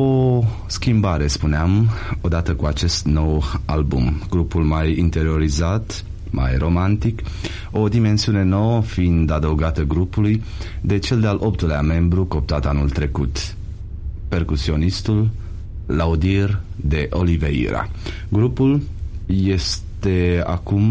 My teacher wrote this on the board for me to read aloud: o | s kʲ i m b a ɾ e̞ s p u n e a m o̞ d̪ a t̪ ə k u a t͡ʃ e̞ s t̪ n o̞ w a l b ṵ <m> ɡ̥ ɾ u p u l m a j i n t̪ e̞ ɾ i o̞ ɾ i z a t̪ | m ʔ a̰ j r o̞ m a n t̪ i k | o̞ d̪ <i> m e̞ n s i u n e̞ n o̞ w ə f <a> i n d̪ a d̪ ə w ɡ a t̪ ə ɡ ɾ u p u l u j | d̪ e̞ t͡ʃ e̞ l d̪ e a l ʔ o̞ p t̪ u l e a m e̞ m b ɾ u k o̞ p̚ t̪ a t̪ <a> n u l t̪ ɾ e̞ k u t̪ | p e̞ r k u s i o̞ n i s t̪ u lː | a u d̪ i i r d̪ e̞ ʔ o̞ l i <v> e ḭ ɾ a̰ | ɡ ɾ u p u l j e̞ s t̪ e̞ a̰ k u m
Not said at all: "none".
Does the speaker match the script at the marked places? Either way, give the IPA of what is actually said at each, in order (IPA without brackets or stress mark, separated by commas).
m, i, i, a, v